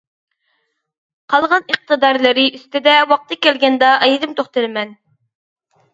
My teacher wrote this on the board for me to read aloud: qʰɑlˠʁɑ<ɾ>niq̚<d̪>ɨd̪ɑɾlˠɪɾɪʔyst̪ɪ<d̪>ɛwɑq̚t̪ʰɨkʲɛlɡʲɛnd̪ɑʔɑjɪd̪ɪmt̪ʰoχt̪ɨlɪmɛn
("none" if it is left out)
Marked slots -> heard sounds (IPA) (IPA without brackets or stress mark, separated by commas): none, t̪, d̪